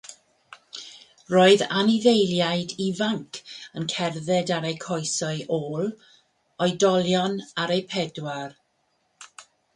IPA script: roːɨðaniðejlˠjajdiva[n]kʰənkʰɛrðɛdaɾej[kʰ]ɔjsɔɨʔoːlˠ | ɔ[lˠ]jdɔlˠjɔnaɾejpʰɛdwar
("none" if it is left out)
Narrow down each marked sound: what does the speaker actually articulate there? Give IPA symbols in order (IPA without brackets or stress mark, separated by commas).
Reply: ŋ, kʰ, none